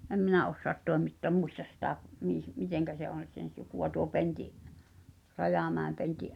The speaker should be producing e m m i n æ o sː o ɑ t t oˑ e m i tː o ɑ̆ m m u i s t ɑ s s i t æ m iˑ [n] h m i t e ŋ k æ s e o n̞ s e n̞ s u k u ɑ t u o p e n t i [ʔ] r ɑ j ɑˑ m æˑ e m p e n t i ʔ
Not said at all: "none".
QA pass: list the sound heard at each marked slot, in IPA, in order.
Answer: none, ʔ

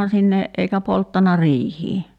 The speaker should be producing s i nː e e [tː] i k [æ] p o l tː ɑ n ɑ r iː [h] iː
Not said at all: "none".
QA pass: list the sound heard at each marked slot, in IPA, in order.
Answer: none, æ, h

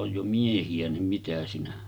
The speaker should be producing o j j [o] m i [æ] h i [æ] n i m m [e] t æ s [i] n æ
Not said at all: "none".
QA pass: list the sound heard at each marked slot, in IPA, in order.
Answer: o, e, æ, i, i

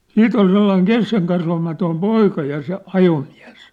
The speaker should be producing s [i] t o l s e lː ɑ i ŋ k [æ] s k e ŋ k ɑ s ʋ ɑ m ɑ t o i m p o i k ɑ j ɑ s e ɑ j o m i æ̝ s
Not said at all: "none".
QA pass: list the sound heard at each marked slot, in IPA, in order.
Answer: iː, e

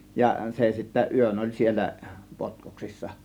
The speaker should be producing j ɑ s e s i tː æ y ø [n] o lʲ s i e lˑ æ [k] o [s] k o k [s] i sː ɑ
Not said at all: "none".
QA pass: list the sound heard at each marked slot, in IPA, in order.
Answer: n, p, t, s

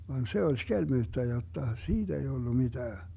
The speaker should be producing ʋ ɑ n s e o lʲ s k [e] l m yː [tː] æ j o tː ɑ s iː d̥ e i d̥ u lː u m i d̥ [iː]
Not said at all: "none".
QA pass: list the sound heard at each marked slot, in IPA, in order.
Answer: e, tː, æː

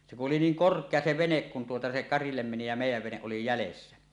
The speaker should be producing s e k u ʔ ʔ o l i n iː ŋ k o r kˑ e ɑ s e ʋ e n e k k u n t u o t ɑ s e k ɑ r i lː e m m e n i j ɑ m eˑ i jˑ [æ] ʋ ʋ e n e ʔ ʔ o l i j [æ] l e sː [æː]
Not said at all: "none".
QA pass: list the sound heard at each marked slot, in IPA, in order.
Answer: æ, æ, æ

